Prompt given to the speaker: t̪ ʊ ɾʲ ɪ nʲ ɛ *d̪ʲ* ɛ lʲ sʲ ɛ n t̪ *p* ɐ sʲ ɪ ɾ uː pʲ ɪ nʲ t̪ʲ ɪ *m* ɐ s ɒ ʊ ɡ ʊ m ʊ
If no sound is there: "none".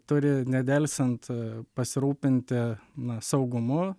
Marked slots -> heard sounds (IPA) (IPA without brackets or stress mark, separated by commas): d̪ʲ, p, n